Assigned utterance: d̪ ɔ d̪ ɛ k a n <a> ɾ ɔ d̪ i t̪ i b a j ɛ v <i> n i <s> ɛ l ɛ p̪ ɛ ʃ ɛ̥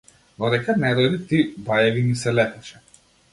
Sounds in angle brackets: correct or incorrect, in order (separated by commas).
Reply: incorrect, correct, correct